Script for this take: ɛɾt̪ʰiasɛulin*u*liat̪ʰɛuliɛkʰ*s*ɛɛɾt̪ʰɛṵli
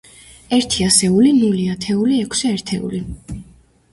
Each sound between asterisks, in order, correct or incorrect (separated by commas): correct, correct